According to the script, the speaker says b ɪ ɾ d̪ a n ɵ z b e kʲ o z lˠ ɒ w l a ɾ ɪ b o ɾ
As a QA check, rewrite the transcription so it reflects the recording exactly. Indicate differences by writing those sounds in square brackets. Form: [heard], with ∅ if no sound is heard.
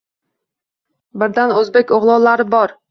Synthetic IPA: b ɪ ɾ d̪ a n ɵ z b e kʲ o [ʁ] lˠ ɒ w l a ɾ ɪ b [ɒ] ɾ